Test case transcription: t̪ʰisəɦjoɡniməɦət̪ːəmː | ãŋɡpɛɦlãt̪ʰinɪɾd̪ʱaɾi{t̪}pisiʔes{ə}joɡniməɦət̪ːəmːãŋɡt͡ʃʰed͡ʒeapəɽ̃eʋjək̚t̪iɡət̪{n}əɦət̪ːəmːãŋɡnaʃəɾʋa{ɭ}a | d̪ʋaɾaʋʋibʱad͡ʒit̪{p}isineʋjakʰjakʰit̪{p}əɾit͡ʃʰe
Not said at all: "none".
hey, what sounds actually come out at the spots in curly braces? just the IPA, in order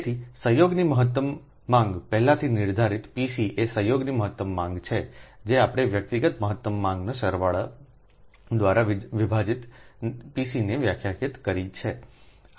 t̪, ə, m, ɭ, p, k

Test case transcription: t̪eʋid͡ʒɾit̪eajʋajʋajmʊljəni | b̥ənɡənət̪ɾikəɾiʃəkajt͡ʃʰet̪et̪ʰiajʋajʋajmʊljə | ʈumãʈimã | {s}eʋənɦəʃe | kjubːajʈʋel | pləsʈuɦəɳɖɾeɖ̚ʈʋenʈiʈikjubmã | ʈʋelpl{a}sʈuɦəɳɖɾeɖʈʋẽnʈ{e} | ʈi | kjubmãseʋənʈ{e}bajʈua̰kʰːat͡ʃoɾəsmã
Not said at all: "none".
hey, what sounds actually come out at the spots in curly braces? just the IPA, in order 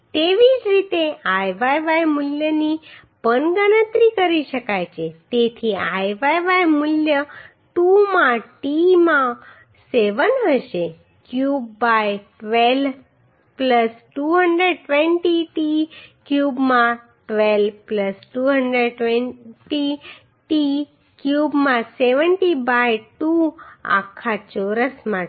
s, ə, i, i

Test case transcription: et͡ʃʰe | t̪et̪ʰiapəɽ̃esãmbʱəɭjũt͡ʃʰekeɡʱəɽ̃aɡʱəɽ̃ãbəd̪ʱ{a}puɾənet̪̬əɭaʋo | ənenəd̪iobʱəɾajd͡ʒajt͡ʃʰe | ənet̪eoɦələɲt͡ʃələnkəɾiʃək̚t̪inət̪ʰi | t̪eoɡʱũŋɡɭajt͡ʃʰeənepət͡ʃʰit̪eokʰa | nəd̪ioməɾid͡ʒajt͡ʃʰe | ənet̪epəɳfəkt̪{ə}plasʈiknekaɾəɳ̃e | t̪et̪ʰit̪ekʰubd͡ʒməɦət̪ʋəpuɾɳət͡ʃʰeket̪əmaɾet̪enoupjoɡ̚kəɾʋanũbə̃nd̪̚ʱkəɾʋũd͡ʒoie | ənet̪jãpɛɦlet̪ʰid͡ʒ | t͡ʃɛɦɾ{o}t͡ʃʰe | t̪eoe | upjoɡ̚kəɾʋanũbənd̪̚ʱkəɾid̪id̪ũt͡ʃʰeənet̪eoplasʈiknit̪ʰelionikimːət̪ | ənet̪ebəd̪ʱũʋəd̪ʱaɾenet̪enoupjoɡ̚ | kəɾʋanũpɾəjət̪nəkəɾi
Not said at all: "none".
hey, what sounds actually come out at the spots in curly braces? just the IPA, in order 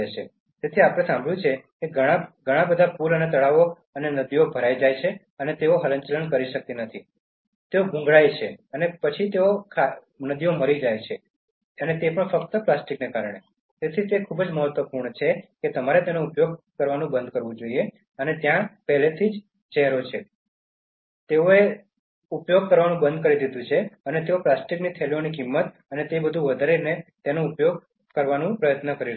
a, ə, o

